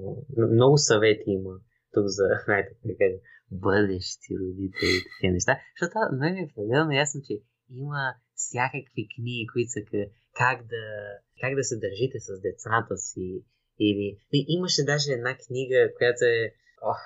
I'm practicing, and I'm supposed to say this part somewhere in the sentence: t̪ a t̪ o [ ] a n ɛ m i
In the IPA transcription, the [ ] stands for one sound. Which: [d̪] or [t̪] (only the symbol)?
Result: t̪